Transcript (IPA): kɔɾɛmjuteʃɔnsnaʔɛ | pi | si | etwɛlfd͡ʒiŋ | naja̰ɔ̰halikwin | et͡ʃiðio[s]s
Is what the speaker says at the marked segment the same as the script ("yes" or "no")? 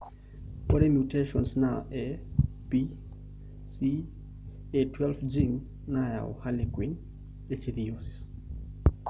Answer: yes